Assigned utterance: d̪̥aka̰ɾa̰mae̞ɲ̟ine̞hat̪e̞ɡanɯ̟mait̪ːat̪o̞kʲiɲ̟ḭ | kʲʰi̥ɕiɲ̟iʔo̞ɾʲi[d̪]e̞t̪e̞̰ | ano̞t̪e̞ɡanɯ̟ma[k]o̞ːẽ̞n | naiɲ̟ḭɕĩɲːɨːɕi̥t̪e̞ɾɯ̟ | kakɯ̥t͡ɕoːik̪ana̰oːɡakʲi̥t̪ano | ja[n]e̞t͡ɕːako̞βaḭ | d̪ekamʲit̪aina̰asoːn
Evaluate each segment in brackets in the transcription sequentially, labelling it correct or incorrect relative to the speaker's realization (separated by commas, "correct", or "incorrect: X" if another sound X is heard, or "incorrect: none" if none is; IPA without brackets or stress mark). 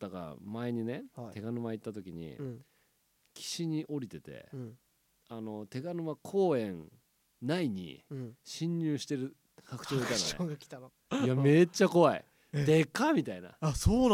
incorrect: t̪, incorrect: kʰ, incorrect: m